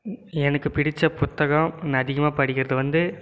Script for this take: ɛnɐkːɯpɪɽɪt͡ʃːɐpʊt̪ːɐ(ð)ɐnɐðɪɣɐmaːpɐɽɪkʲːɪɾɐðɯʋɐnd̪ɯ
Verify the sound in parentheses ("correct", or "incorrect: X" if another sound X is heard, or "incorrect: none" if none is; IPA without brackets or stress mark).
incorrect: ɣ